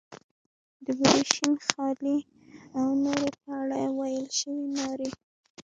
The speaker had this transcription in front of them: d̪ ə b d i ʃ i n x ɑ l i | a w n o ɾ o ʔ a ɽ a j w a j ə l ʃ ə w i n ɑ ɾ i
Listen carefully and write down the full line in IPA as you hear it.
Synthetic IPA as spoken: d̪ ə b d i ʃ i n x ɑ l i | a w n o ɾ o p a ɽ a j w a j ə l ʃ ə w i n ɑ ɾ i